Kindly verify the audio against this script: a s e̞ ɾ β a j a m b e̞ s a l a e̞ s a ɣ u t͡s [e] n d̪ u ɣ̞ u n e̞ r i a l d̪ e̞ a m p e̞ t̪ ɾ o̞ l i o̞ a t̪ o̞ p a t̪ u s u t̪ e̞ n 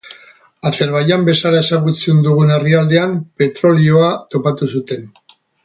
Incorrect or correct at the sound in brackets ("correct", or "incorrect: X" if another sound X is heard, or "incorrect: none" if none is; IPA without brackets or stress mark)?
correct